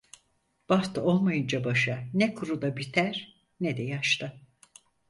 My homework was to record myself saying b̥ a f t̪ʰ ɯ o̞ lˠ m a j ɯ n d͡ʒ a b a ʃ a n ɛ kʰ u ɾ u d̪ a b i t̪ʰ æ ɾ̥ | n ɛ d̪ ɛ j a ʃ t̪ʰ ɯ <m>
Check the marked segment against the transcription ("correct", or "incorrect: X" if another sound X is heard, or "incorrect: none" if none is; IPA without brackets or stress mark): incorrect: none